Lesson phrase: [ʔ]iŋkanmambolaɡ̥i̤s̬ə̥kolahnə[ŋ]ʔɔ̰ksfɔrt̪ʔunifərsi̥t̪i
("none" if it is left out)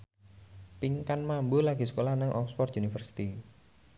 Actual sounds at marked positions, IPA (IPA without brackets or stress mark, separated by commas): p, ŋ